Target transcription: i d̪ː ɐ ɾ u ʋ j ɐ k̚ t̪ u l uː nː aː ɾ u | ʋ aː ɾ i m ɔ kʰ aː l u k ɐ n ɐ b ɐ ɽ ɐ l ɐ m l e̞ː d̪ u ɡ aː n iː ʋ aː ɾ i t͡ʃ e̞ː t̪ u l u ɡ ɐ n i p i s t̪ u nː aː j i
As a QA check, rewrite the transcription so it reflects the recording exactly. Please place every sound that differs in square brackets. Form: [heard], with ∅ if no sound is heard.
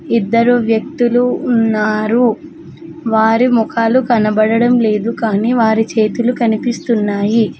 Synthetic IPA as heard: i d̪ː ɐ ɾ u ʋ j ɐ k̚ t̪ u l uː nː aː ɾ u | ʋ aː ɾ i m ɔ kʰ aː l u k ɐ n ɐ b ɐ ɽ ɐ [ɽ] ɐ m l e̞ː d̪ u [k] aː n iː ʋ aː ɾ i t͡ʃ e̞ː t̪ u l u [k] ɐ n i p i s t̪ u nː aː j i